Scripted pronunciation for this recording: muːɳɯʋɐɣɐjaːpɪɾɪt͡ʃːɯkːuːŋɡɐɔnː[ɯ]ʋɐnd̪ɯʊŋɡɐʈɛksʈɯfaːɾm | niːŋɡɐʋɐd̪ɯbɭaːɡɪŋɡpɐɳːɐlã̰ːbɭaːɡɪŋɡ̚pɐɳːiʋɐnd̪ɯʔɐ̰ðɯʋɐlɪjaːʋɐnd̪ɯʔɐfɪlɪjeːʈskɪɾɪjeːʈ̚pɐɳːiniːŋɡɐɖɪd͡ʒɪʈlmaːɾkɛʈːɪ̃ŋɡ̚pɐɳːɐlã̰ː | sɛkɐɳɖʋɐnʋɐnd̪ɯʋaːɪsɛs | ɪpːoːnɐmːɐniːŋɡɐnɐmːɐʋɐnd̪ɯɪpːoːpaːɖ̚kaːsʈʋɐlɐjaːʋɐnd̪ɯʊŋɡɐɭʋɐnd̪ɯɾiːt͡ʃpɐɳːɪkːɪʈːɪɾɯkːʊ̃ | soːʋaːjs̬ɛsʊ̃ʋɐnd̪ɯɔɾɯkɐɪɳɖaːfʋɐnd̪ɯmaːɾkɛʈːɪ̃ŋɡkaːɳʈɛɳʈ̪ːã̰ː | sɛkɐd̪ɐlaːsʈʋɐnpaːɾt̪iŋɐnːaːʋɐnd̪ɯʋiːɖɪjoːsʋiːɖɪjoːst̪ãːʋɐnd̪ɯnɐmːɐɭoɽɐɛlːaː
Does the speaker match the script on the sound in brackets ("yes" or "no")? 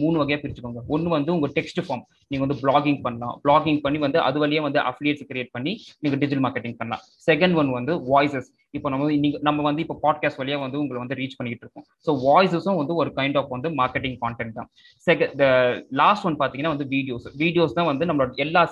yes